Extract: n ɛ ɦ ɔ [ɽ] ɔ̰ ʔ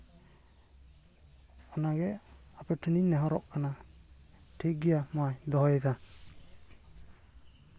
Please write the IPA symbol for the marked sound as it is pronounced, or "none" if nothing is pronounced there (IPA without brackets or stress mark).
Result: ɾ